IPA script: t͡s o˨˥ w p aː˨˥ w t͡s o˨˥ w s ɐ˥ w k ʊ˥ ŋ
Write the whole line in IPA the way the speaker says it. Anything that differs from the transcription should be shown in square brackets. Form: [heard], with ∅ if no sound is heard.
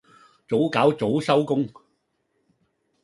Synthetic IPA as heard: t͡s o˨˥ w [k] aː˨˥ w t͡s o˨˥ w s ɐ˥ w k ʊ˥ ŋ